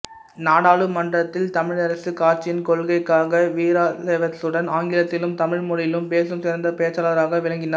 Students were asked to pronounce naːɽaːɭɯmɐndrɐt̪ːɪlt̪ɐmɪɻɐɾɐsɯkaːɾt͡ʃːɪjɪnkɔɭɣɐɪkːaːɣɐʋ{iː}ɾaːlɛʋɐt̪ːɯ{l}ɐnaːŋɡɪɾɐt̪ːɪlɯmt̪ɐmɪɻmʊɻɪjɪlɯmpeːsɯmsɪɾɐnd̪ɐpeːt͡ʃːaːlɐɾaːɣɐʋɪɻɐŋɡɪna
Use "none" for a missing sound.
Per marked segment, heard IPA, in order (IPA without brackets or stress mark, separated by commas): iː, ɽ